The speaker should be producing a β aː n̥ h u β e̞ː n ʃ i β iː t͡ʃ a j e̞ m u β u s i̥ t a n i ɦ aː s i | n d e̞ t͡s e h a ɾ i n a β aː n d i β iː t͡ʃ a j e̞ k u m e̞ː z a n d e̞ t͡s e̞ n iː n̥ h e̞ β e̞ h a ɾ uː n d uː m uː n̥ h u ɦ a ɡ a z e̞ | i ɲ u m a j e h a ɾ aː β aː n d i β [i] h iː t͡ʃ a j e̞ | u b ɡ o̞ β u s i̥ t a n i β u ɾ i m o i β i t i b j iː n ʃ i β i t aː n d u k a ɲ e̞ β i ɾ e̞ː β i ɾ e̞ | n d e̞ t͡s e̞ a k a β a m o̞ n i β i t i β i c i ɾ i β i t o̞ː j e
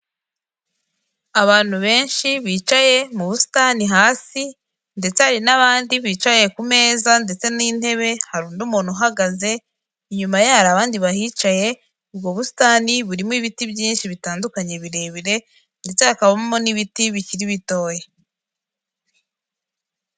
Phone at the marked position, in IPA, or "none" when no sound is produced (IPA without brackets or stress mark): a